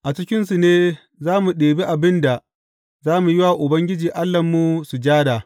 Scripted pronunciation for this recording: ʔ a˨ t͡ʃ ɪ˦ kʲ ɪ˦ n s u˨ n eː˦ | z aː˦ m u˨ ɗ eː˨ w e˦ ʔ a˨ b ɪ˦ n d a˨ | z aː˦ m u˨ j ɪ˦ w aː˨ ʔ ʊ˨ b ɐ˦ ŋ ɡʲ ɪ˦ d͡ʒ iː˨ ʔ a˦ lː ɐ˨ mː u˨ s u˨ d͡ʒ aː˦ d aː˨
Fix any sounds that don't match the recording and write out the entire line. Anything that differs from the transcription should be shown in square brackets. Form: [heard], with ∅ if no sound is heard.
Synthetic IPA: ʔ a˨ t͡ʃ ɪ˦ kʲ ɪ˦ n s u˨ n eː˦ | z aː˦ m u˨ ɗ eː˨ [b] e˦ ʔ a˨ b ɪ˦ n d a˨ | z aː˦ m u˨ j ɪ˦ w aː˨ ʔ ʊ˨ b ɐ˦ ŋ ɡʲ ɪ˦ d͡ʒ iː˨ ʔ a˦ lː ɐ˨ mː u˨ s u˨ d͡ʒ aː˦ d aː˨